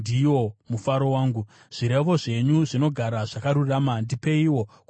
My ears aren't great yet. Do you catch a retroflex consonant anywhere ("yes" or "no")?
yes